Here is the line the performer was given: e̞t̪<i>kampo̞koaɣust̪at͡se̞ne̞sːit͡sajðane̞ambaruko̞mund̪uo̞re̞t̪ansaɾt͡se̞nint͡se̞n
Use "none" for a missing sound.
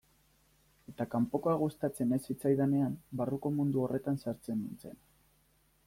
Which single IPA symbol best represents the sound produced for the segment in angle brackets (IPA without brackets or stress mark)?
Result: a